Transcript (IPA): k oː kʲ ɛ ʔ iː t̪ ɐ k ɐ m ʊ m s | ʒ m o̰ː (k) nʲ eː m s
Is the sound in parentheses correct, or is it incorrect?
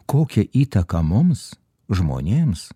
incorrect